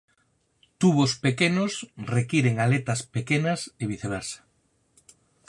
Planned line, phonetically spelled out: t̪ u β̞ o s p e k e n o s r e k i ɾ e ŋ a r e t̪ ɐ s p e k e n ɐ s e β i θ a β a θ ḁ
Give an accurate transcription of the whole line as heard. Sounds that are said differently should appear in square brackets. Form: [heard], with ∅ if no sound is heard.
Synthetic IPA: t̪ u β̞ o s p e k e n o s r e k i ɾ e ŋ a [l] e t̪ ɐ s p e k e n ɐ s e β i θ [e] β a [s] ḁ

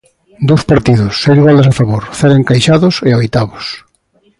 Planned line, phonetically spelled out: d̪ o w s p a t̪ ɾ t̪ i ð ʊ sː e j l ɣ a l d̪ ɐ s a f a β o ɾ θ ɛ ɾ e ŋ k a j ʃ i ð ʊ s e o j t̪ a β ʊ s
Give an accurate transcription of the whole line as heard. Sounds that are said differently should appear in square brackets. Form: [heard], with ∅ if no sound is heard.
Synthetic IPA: d̪ o w s p a [∅] ɾ t̪ i ð ʊ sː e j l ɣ a l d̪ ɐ s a f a β o ɾ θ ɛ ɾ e ŋ k a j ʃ [a] ð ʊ s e o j t̪ a β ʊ s

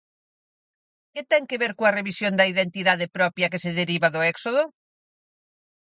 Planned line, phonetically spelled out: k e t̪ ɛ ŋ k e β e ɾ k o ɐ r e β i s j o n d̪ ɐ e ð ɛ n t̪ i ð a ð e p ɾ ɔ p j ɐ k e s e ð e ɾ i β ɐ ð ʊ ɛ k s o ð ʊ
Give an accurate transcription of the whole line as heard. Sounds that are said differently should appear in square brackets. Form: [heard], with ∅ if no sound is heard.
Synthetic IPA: k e t̪ ɛ ŋ k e β e ɾ k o ɐ r e β i s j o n d̪ ɐ [i] ð [e] n t̪ i ð a ð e p ɾ ɔ p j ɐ k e s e ð e ɾ i β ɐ ð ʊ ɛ k s o ð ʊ

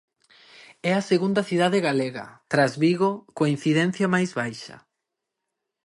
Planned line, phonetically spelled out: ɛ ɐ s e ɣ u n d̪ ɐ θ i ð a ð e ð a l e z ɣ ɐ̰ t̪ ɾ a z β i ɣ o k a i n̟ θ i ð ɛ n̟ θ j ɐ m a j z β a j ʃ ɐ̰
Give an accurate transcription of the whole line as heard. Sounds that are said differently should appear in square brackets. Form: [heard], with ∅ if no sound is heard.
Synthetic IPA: ɛ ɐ s e ɣ u n d̪ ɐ θ i ð a ð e [ɣ] a l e [∅] ɣ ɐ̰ t̪ ɾ a z β i ɣ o k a i n̟ θ i ð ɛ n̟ θ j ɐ m a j z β a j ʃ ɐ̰

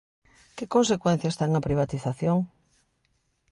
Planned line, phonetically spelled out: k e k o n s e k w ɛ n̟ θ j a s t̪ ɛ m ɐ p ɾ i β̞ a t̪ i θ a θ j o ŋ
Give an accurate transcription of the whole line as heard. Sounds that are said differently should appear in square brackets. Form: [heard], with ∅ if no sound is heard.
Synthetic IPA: k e k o n s e k w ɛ n̟ θ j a s t̪ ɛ [ŋ] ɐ p ɾ i β̞ a t̪ i θ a θ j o ŋ

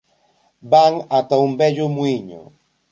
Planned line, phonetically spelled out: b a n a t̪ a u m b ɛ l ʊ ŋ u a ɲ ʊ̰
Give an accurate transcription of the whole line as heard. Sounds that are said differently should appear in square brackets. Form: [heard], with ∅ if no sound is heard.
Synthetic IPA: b a [ŋ] a t̪ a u m b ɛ [ʎ] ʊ [m] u [i] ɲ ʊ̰

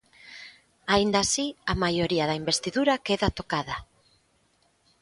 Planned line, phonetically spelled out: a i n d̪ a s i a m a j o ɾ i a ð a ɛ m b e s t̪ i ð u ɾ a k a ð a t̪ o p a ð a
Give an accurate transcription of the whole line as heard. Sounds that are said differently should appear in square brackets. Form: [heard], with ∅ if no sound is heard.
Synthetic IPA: a i n d̪ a s i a m a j o ɾ i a ð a [i] m b e s t̪ i ð u ɾ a k [e] ð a t̪ o [k] a ð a

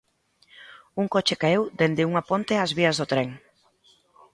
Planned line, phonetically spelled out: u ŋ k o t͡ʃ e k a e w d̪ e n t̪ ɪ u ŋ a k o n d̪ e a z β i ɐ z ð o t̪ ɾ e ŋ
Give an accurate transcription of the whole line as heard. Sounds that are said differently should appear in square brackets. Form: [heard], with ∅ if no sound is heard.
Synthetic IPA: u ŋ k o t͡ʃ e k a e w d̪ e n [d̪] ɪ u ŋ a [p] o n [t̪] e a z β i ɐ z ð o t̪ ɾ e ŋ

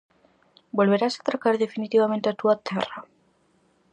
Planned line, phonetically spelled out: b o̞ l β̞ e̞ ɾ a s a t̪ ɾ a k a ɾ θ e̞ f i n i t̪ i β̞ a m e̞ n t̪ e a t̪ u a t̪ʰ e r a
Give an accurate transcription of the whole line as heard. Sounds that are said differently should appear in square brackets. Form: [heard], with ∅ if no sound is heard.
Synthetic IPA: b o̞ l β̞ e̞ ɾ a s a t̪ ɾ a k a ɾ [ð] e̞ f i n i t̪ i β̞ a m e̞ n t̪ e a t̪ u a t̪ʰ e r a

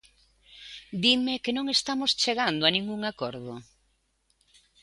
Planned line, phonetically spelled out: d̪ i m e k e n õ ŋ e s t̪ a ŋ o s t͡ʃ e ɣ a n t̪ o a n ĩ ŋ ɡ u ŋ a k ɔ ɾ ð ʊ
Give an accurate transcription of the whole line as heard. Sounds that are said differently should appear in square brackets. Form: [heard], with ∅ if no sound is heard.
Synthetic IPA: d̪ i m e k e n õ ŋ e s t̪ a [m] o s t͡ʃ e ɣ a n [d̪] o a n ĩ ŋ ɡ u ŋ a k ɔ ɾ ð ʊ

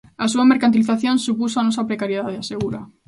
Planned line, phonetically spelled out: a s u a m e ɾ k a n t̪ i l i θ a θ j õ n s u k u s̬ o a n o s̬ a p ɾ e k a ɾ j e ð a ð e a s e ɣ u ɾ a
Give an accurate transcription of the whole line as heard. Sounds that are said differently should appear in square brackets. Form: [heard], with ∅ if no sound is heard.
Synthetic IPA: a s u a m e ɾ k a n t̪ i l i θ a θ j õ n s u [p] u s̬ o a n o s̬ a p ɾ e k a ɾ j e ð a ð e a s e ɣ u ɾ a

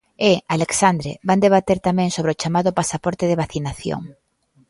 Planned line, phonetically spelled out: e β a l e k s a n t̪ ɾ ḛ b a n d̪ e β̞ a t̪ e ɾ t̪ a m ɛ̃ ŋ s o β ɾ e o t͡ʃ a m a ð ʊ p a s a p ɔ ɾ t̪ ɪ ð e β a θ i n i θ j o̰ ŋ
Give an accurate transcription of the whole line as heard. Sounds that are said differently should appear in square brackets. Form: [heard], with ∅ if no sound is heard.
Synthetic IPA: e [∅] a l e k s a n [d̪] ɾ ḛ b a n d̪ e β̞ a t̪ e ɾ t̪ a m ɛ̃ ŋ s o β ɾ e o t͡ʃ a m a ð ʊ p a s a p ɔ ɾ t̪ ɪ ð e β a θ i n [a] θ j o̰ ŋ

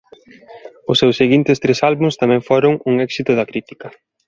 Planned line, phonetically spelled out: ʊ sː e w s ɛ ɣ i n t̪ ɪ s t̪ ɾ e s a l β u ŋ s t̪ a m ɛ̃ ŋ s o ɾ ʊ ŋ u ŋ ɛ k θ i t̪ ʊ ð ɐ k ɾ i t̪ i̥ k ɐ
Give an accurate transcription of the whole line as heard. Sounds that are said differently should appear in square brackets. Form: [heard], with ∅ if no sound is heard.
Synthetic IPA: ʊ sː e w s [e] ɣ i n t̪ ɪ s t̪ ɾ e s a l β u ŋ s t̪ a m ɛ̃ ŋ [f] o ɾ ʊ ŋ u ŋ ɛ k [s] i t̪ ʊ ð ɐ k ɾ i t̪ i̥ k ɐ

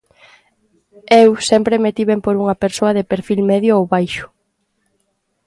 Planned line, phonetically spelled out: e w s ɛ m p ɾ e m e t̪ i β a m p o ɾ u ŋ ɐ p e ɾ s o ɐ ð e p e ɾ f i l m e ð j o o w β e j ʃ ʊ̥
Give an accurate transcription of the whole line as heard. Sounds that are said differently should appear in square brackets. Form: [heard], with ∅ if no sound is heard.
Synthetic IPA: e w s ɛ m p ɾ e m e t̪ i β [e] m p o ɾ u ŋ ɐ p e ɾ s o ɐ ð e p e ɾ f i l m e ð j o o w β [a] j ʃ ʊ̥

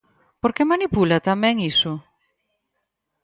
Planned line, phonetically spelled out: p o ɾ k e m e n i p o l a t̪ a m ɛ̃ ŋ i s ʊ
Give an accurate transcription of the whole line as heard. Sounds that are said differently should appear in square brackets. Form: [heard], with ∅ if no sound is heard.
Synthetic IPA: p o ɾ k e m [a] n i p [u] l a t̪ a m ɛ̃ ŋ i s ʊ

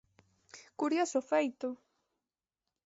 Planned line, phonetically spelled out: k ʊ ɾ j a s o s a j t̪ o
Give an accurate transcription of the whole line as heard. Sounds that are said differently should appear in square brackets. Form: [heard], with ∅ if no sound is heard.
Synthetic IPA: k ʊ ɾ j a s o [f] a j t̪ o

